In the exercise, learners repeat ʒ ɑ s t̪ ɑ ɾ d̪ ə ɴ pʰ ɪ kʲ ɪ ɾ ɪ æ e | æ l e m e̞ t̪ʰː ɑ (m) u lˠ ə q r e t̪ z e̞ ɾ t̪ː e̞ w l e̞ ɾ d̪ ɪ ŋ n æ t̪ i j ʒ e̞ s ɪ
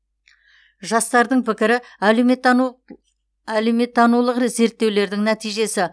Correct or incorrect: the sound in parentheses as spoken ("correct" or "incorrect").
incorrect